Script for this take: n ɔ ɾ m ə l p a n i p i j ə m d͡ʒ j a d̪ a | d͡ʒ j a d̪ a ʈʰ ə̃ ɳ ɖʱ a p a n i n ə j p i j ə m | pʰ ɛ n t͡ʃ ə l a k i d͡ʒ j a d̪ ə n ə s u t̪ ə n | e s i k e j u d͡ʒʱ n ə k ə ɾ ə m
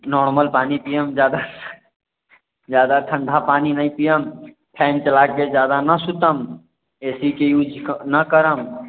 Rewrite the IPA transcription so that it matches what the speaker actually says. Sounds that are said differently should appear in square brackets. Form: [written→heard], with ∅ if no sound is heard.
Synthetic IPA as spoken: n ɔ ɾ m ə l p a n i p i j ə m d͡ʒ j a d̪ a | d͡ʒ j a d̪ a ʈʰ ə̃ ɳ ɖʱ a p a n i n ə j p i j ə m | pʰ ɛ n t͡ʃ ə l a k [i→e] d͡ʒ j a d̪ [ə→a] n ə s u t̪ ə [n→m] | e s i k e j u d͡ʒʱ n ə k ə ɾ ə m